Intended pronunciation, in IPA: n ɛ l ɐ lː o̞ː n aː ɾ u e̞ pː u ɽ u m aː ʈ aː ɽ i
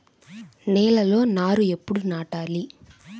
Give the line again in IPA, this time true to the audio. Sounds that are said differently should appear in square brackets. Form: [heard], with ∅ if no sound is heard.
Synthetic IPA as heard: n [ɛː] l ɐ [l] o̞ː n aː ɾ u e̞ pː u ɽ u [n] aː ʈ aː [l] i